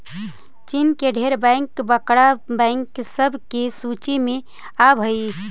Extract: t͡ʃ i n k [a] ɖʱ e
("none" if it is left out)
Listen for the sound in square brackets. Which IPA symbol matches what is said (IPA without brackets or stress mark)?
e